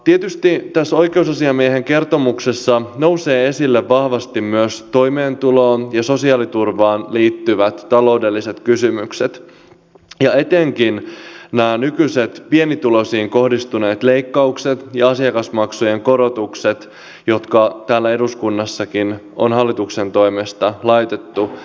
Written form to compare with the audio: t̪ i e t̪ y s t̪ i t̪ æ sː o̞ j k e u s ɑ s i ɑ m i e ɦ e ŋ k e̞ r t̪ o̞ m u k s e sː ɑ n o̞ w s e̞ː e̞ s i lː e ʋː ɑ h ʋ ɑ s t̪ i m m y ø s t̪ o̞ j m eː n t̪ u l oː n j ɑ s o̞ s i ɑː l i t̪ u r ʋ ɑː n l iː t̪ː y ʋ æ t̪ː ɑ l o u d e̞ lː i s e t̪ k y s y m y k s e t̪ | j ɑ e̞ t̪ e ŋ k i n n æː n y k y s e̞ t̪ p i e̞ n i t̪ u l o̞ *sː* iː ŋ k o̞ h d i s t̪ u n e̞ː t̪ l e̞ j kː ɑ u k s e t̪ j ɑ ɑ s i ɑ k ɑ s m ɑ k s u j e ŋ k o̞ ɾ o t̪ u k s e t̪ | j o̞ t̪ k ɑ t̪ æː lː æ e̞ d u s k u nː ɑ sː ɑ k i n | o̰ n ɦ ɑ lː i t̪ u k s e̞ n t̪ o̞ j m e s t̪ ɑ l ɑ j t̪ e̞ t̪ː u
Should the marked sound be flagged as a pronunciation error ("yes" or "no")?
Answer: yes